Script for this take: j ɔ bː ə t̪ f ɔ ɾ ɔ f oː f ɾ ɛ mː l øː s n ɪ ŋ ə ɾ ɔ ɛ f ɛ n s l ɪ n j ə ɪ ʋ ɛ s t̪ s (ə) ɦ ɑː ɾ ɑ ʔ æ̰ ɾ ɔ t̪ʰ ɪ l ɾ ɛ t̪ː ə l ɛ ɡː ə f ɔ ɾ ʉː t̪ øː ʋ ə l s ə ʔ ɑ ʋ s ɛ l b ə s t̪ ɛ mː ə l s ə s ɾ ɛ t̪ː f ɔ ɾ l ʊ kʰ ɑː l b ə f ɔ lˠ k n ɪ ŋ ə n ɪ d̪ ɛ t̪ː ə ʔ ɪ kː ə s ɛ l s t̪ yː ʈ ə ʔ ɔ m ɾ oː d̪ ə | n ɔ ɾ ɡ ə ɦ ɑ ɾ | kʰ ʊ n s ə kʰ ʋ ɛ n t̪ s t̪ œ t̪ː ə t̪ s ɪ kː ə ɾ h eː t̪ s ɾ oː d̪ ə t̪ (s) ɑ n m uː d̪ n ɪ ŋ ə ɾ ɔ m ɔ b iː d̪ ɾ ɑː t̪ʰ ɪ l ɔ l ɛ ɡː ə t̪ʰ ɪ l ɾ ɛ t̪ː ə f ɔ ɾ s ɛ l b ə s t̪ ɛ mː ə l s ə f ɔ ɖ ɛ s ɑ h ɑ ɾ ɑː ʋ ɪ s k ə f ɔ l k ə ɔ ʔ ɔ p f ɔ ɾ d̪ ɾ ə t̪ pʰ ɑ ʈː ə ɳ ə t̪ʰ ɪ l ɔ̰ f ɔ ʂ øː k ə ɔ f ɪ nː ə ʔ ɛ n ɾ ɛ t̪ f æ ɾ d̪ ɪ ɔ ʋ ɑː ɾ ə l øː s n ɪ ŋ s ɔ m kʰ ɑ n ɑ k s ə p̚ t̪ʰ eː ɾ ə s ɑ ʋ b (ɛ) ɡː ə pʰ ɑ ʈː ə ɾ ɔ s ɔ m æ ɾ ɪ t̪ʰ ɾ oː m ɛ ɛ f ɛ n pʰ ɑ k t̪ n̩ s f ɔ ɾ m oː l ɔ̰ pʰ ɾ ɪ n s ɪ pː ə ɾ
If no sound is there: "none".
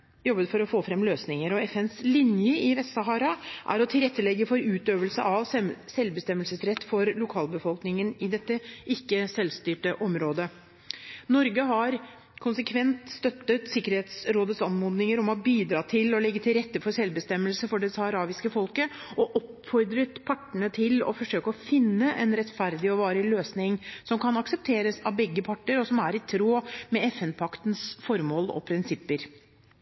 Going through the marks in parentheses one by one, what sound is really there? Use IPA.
ɑ, s, ɛ

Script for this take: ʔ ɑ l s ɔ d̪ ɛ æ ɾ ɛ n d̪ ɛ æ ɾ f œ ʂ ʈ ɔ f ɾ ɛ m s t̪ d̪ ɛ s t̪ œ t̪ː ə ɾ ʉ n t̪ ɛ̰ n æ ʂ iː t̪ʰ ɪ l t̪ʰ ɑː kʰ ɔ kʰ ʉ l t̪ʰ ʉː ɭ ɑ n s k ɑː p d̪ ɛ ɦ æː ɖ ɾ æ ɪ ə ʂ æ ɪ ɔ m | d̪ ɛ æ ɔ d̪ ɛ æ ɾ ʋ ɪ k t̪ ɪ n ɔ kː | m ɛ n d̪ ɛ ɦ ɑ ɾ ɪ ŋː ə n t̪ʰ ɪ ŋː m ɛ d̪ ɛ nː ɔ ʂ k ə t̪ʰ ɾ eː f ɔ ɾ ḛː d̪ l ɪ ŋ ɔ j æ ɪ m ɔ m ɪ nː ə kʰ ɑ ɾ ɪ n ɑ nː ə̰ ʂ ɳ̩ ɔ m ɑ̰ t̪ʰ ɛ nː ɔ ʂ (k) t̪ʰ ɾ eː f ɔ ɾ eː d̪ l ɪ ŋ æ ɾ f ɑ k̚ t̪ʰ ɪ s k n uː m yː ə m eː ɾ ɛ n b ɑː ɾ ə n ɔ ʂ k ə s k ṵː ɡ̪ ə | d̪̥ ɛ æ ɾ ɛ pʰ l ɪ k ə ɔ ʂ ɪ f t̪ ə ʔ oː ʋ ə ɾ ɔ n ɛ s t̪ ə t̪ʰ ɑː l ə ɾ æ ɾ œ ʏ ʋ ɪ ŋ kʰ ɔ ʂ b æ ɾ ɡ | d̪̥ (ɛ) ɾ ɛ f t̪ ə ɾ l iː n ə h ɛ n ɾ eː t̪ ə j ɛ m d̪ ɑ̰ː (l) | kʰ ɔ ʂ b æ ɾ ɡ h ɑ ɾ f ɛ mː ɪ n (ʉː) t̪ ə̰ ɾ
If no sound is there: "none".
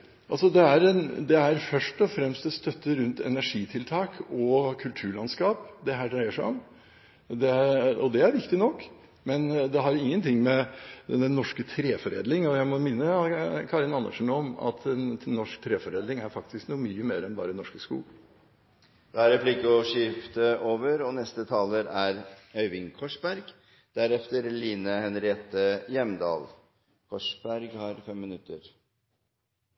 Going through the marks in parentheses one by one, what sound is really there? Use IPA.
k, æ, l, ʉ

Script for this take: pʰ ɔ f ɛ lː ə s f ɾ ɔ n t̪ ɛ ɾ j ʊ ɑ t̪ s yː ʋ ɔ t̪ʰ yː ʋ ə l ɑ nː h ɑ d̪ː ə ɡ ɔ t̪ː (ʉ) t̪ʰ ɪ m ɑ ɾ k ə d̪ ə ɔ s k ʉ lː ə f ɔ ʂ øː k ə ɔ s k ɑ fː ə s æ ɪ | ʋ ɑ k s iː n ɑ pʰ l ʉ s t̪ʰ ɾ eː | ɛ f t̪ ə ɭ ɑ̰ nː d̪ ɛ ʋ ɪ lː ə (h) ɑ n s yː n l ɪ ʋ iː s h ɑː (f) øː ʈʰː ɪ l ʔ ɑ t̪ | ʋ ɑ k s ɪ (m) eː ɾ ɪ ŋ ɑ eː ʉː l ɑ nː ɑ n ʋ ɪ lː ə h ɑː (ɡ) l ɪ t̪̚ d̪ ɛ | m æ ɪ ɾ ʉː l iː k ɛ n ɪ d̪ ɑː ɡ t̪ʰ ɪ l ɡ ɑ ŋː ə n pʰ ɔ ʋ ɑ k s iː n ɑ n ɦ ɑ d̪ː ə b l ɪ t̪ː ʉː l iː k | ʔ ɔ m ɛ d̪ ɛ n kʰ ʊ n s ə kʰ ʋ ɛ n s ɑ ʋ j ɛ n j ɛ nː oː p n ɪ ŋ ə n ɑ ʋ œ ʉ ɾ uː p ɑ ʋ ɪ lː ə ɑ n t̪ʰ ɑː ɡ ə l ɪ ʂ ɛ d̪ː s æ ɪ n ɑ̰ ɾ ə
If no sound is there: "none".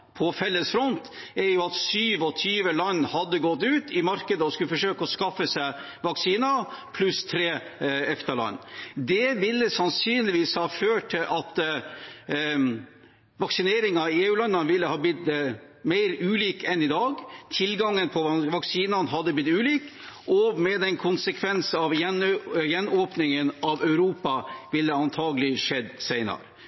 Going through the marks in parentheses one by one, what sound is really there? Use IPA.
ʉː, s, f, n, b

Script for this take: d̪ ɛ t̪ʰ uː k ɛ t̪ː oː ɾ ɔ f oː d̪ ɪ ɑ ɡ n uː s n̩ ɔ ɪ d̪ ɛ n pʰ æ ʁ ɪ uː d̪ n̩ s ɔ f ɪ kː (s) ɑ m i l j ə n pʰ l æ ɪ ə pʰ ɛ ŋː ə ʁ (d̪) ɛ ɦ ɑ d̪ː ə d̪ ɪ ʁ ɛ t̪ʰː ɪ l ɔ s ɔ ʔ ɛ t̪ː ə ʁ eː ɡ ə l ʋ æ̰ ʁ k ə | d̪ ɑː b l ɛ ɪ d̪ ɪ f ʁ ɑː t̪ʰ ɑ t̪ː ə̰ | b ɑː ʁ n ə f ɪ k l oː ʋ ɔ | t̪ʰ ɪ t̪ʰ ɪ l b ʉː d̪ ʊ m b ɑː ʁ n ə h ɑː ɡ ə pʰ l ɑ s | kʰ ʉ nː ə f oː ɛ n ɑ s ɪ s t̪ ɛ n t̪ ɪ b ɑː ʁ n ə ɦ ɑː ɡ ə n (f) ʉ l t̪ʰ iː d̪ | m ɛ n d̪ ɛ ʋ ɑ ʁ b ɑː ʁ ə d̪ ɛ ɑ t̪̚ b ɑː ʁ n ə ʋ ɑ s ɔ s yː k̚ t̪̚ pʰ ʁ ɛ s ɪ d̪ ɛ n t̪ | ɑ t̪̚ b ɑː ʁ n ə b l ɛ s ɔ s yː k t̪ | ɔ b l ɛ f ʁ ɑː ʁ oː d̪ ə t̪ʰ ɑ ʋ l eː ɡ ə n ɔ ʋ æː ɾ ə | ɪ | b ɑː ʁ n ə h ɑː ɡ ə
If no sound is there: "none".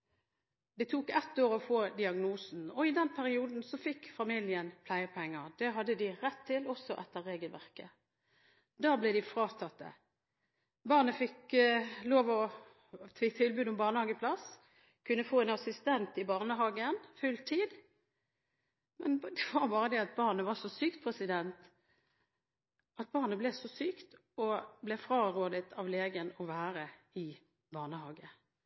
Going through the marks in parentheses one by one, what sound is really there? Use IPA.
f, d̪, f

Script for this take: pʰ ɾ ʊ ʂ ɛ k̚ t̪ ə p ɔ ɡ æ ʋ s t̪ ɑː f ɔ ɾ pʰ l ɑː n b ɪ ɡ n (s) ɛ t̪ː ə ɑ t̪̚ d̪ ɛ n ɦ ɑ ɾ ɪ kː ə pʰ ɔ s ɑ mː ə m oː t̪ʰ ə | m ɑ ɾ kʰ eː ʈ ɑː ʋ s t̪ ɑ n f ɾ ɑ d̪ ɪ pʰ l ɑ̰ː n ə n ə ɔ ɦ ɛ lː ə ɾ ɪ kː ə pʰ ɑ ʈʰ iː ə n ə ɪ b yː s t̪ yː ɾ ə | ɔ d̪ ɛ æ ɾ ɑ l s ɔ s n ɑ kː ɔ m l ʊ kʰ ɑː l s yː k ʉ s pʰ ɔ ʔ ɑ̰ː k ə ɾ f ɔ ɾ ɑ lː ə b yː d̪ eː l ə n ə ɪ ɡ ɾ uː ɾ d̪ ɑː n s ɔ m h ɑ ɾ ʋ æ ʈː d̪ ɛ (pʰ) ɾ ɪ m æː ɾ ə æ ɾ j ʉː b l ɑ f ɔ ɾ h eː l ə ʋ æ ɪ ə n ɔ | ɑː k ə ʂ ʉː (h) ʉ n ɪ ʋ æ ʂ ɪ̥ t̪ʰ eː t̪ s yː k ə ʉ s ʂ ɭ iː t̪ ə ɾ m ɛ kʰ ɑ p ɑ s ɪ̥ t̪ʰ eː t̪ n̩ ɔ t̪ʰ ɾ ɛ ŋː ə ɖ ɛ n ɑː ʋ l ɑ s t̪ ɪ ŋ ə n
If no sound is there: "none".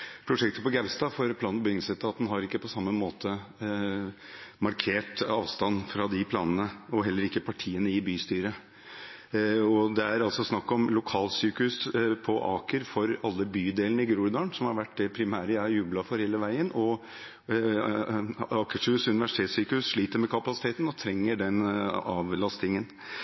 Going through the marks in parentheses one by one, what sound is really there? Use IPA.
s, pʰ, s

